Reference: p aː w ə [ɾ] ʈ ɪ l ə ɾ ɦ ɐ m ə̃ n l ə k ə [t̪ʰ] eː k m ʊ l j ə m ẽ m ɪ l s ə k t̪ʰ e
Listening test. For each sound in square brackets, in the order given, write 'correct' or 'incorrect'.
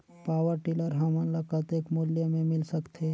correct, incorrect: t̪

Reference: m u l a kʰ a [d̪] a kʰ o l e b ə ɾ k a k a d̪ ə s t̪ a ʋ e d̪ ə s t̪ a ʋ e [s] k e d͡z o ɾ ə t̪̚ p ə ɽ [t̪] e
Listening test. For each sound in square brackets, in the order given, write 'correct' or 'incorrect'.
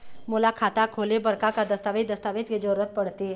incorrect: t̪, incorrect: t͡s, correct

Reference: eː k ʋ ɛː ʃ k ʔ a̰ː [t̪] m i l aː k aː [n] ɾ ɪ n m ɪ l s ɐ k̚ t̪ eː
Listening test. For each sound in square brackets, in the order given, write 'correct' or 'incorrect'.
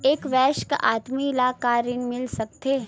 correct, incorrect: none

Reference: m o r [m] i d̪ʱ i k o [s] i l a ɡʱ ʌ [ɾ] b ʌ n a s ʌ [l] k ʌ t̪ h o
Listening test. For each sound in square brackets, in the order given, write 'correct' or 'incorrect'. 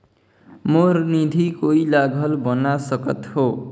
incorrect: n, incorrect: none, incorrect: l, incorrect: none

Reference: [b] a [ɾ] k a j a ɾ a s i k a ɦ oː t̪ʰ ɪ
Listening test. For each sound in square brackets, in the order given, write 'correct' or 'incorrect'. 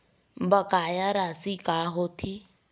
correct, incorrect: none

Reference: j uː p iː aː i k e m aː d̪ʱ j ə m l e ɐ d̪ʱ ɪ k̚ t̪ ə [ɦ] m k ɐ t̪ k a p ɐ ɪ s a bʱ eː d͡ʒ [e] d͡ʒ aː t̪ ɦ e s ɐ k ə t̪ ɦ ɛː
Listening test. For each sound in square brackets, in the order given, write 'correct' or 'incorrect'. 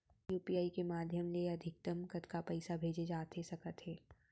incorrect: none, correct

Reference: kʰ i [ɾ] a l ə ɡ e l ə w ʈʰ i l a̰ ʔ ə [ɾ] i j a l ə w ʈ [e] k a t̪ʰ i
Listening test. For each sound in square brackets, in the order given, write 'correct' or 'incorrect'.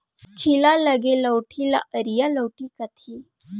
incorrect: l, correct, incorrect: i

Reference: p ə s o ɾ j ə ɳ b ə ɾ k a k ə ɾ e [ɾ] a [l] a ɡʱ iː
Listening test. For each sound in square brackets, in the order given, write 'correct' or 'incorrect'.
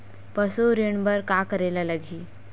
incorrect: l, correct

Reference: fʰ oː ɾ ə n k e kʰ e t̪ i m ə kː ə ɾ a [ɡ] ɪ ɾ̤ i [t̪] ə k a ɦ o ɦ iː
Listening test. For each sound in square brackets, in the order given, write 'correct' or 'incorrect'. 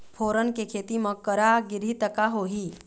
correct, correct

